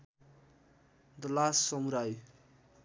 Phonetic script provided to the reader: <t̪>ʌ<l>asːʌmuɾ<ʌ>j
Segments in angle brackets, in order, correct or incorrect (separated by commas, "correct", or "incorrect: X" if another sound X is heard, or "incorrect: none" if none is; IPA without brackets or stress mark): incorrect: d̪, correct, incorrect: a